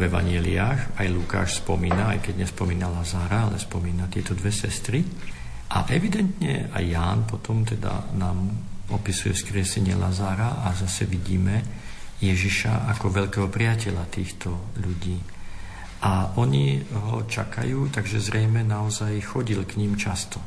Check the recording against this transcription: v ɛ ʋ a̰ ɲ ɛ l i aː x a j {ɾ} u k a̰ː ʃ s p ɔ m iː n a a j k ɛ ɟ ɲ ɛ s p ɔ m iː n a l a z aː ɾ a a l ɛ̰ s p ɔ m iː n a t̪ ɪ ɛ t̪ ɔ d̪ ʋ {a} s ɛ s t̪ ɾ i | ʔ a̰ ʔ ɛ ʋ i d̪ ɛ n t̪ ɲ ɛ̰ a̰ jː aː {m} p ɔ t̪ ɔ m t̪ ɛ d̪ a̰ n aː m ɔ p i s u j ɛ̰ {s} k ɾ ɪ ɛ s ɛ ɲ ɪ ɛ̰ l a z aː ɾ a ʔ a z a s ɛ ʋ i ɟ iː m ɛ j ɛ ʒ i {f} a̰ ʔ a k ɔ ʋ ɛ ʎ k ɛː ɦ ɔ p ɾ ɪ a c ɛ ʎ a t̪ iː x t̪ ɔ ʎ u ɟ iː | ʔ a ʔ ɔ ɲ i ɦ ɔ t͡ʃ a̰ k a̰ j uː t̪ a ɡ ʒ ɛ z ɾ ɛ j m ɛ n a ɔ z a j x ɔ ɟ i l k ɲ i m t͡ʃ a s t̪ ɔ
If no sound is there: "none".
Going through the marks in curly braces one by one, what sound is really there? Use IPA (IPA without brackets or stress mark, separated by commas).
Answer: l, ɛ, n, s, ʃ